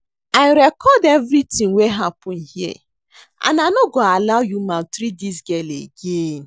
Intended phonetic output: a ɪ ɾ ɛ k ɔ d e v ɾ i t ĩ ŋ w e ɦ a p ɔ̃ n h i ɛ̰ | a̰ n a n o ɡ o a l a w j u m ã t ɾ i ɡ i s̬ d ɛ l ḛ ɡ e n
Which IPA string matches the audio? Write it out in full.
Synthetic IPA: a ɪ ɾ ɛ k ɔ d e v ɾ i t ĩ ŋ w e ɦ a p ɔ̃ n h i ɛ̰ | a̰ n a n o ɡ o a l a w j u m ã t ɾ i d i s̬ ɡ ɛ l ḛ ɡ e n